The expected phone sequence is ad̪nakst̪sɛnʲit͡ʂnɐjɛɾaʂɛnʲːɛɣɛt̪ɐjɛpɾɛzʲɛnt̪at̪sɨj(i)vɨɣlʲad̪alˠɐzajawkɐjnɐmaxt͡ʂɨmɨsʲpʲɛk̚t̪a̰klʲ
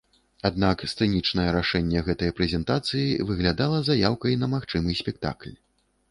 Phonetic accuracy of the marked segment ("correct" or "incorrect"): correct